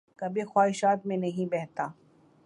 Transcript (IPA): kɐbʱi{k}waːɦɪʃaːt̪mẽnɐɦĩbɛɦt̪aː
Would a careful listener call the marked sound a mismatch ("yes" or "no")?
yes